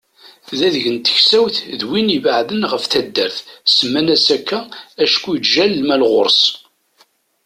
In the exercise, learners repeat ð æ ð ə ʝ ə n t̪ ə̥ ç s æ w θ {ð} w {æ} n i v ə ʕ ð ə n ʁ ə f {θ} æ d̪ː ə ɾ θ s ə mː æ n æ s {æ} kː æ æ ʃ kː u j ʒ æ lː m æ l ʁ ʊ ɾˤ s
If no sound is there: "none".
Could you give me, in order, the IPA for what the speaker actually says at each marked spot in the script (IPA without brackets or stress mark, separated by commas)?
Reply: ð, i, θ, æ